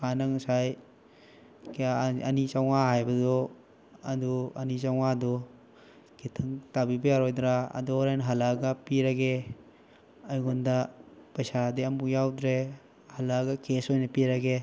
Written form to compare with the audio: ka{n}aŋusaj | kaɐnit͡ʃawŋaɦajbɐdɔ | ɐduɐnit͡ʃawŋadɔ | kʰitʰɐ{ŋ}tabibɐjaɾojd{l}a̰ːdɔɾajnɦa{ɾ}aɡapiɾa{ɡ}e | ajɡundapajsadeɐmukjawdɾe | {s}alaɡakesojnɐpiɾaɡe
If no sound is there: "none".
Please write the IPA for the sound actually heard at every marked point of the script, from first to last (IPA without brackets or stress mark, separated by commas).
n, ŋ, ɾ, l, ɡ, h